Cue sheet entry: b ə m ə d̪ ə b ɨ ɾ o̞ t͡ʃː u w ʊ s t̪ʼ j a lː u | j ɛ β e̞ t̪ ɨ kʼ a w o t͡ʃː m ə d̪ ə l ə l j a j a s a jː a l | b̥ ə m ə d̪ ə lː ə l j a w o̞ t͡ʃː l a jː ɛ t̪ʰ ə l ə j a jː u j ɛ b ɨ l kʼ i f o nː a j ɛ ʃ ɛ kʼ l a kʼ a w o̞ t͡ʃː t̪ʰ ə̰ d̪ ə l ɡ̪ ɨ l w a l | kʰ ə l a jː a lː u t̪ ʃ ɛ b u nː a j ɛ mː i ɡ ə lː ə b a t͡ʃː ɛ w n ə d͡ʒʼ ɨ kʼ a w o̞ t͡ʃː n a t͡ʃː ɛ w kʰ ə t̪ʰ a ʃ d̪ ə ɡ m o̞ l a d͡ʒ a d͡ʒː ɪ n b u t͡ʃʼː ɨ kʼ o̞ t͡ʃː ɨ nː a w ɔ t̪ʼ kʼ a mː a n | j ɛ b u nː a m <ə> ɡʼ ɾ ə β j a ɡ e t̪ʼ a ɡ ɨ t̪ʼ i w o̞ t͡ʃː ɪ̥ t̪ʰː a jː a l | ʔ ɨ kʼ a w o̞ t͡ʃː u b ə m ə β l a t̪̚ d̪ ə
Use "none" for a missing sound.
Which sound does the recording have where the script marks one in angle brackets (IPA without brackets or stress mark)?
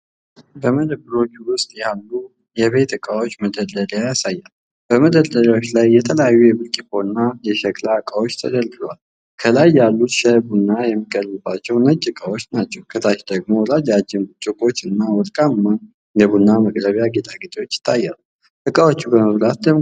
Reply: ə